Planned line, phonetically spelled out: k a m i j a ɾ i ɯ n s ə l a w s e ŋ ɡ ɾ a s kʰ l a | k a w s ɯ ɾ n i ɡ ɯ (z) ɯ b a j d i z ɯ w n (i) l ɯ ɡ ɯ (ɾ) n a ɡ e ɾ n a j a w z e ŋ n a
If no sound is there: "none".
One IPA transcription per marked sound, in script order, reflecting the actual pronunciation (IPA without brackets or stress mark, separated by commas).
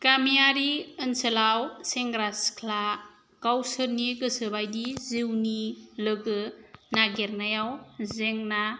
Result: s, i, none